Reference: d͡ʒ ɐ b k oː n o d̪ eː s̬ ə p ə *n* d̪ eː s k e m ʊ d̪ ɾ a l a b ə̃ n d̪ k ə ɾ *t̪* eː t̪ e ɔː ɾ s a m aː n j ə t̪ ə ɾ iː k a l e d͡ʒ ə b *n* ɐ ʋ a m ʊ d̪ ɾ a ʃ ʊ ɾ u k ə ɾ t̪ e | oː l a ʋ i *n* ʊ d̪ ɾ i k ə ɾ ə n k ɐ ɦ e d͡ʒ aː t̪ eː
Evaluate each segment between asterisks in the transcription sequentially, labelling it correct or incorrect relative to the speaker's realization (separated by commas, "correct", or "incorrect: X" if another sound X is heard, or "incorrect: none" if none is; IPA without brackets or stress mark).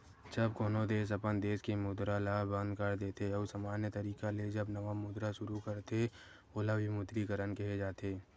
correct, incorrect: d̪, correct, incorrect: m